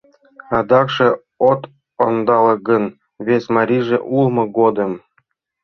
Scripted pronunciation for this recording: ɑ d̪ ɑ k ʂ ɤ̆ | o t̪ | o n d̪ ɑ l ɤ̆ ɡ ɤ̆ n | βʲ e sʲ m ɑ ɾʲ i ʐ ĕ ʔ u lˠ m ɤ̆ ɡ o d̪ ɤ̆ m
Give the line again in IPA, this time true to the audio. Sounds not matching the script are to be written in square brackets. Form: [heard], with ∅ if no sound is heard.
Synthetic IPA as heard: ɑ d̪ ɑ k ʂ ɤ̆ | o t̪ | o n d̪ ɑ l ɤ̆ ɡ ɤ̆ n | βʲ e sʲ m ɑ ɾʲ i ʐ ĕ ʔ u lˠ m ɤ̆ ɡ o d̪ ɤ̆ m